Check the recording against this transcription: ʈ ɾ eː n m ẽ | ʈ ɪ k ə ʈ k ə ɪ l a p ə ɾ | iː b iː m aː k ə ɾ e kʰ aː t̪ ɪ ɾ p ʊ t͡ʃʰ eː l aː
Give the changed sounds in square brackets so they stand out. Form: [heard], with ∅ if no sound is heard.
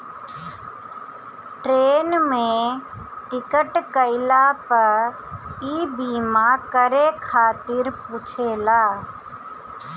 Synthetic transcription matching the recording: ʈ ɾ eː n m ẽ | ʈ ɪ k ə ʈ k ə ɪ l a p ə ɾ | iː b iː m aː k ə ɾ e kʰ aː t̪ ɪ ɾ p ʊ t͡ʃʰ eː l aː